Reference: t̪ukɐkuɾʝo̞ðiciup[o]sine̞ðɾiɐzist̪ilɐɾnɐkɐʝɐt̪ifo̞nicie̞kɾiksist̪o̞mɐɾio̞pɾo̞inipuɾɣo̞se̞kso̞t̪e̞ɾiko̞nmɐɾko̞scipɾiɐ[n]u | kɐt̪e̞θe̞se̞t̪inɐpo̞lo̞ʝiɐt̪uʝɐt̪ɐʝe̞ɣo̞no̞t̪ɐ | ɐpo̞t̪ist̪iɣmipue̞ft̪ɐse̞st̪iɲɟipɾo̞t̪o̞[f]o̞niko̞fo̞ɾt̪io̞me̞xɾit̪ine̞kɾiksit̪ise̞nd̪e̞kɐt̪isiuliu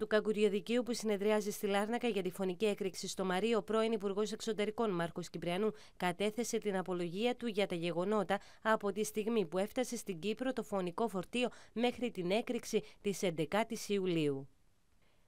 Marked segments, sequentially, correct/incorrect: incorrect: u, correct, correct

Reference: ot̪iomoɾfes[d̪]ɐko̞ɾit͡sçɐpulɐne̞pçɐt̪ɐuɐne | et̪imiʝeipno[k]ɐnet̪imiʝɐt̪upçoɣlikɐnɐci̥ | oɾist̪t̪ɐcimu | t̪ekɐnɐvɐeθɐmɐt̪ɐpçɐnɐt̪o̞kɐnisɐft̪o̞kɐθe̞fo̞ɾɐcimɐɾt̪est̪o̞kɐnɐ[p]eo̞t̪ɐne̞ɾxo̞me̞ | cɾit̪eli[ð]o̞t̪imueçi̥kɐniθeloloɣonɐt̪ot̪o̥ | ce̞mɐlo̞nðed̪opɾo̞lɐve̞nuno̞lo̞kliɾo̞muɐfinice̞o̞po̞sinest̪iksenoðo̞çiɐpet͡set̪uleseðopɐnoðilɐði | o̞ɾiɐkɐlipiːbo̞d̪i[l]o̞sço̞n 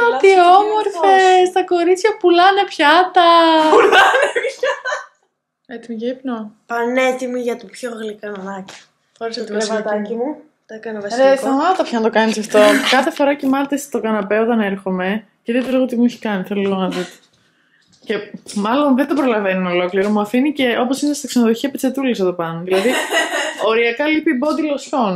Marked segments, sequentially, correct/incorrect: incorrect: t̪, incorrect: p, correct, incorrect: ɣ, correct

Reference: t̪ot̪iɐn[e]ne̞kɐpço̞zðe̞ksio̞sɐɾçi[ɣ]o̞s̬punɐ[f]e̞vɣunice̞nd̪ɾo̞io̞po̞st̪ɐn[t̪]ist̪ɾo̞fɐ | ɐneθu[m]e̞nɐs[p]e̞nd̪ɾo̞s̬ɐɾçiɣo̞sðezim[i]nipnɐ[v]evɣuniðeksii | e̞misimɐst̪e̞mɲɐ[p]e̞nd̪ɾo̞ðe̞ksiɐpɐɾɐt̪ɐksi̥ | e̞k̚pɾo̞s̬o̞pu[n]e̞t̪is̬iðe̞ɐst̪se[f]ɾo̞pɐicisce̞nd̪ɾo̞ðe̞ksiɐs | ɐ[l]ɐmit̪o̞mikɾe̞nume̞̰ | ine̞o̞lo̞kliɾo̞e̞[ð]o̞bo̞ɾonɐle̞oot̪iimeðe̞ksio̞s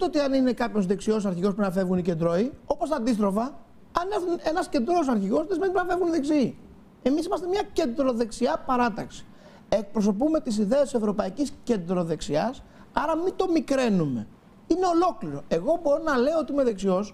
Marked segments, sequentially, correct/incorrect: incorrect: i, correct, correct, incorrect: d̪, incorrect: n, incorrect: c, incorrect: e, incorrect: f, incorrect: c, incorrect: m, incorrect: v, incorrect: ɾ, incorrect: ɣ

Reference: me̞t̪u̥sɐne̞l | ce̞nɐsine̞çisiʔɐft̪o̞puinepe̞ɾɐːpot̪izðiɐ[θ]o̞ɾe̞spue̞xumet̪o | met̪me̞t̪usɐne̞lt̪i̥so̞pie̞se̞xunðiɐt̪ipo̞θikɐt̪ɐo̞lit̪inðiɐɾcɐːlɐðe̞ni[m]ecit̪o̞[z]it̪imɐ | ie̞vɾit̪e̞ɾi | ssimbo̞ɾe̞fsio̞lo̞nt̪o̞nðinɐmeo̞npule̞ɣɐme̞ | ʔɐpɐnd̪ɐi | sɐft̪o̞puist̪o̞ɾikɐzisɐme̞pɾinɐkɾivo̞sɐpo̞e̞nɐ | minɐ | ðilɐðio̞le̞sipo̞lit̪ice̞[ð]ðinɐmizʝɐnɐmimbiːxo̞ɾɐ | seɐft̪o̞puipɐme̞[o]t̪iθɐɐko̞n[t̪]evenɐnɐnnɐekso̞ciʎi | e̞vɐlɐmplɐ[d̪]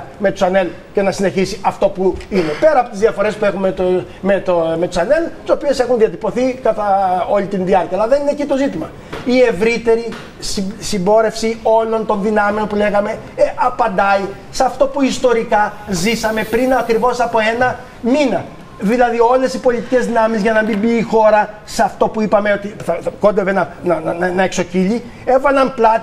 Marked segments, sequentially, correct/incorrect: incorrect: f, incorrect: n, correct, incorrect: z, correct, incorrect: d̪, incorrect: t̪

